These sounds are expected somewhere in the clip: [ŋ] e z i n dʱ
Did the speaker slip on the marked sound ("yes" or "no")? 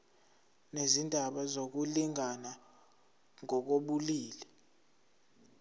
yes